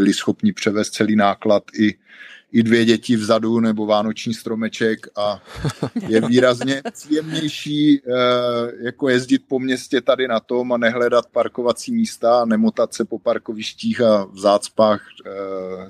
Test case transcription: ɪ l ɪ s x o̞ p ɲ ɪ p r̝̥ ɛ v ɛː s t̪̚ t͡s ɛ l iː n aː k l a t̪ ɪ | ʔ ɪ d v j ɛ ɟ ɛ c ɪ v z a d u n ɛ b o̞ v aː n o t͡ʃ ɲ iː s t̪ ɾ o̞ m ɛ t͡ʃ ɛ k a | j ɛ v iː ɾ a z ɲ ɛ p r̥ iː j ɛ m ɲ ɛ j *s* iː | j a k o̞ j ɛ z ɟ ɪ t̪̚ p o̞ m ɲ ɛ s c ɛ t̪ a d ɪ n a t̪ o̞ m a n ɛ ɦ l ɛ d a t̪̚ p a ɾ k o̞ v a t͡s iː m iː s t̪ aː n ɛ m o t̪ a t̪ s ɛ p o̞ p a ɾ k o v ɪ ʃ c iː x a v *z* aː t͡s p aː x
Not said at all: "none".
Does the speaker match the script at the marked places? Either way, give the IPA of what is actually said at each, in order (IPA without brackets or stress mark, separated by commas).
ʃ, z